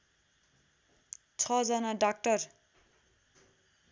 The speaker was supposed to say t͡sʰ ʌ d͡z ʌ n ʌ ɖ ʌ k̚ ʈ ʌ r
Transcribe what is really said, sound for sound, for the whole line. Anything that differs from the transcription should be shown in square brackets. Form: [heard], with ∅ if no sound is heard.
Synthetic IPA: t͡sʰ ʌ d͡z ʌ n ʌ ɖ [a] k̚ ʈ ʌ r